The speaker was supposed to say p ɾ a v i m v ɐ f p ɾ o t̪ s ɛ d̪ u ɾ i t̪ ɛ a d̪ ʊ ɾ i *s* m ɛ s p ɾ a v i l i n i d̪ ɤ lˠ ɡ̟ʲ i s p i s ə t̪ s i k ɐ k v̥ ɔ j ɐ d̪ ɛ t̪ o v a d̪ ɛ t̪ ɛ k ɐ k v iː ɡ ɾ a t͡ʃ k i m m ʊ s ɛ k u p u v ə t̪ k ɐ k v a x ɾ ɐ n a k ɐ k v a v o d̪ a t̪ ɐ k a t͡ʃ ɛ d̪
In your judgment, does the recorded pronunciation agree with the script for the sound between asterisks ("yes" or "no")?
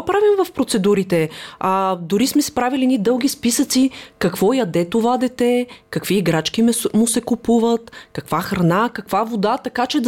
yes